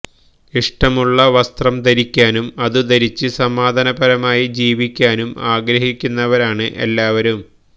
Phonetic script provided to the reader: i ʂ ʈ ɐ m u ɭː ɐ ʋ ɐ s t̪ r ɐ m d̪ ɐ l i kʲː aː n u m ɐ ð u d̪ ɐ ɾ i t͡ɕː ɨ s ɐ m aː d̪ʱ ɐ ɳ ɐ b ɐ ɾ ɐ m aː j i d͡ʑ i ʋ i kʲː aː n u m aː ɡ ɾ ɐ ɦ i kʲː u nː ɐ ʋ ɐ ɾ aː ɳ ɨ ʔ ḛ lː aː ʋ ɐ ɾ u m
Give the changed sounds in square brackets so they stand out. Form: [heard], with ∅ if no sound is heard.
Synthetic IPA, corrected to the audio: i ʂ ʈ ɐ m u ɭː ɐ ʋ ɐ s t̪ r ɐ m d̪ ɐ [ɾ] i kʲː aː n u m ɐ ð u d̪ ɐ ɾ i t͡ɕː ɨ s ɐ m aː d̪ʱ ɐ [n] ɐ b ɐ ɾ ɐ m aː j i d͡ʑ [iː] ʋ i kʲː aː n u m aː ɡ ɾ ɐ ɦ i kʲː u nː ɐ ʋ ɐ ɾ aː ɳ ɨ ʔ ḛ lː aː ʋ ɐ ɾ u m